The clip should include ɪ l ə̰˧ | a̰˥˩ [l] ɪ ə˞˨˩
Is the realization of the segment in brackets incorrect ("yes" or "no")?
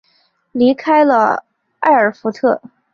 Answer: yes